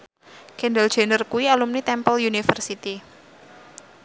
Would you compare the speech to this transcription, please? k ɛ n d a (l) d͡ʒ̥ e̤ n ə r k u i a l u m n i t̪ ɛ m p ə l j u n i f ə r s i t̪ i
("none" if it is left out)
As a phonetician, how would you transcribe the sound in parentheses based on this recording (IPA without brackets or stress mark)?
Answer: l